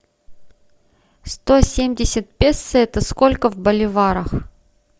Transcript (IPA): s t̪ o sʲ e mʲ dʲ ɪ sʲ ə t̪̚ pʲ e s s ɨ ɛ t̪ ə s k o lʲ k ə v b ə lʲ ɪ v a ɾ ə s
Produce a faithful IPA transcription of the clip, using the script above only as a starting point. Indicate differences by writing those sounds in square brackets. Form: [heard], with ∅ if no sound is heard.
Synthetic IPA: s t̪ o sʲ e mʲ dʲ ɪ sʲ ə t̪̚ pʲ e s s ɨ ɛ t̪ ə s k o lʲ k ə v b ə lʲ ɪ v a ɾ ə [x]